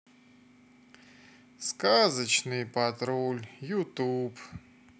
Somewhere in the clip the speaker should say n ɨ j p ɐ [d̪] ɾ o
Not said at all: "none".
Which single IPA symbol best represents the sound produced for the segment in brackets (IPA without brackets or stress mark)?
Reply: t̪